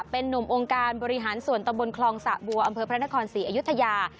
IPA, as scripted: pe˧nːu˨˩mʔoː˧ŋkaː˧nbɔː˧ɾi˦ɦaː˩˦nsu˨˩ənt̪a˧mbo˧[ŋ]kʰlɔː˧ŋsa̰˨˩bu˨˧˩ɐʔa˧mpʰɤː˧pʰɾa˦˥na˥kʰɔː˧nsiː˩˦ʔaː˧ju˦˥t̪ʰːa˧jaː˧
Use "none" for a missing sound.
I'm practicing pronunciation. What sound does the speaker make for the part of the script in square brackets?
n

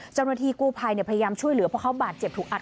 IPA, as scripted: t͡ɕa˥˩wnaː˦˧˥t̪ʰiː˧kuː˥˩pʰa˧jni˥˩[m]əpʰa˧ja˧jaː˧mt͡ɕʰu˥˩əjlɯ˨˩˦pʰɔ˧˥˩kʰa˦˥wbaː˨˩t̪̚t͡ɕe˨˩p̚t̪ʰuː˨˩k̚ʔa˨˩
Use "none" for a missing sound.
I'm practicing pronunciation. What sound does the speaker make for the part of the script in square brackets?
none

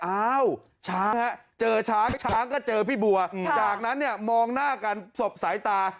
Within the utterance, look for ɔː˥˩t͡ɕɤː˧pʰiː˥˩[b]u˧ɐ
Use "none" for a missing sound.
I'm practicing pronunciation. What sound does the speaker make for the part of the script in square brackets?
b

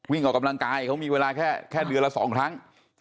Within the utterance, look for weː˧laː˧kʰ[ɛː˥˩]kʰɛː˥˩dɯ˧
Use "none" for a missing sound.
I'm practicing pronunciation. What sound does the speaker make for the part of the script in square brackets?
ɛː˥˩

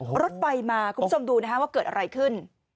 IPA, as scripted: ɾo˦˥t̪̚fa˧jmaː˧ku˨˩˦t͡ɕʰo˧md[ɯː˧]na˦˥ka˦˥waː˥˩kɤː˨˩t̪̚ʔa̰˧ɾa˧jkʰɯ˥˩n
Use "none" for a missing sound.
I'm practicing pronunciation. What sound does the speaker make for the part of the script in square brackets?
uː˧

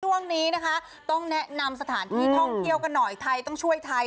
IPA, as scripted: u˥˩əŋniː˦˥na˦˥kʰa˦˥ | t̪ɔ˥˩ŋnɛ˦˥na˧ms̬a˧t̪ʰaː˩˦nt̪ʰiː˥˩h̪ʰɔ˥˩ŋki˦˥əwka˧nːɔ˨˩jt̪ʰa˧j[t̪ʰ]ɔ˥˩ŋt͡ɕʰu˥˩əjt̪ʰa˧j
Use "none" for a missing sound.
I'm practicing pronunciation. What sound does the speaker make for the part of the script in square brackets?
t̪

